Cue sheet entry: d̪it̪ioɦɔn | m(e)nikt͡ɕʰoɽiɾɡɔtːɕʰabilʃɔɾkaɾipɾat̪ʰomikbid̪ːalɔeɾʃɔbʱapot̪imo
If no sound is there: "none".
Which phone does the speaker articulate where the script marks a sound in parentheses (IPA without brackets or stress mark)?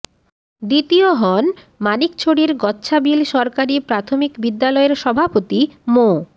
a